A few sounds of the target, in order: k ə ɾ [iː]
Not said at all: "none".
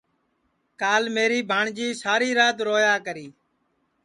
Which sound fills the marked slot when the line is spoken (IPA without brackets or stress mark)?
iː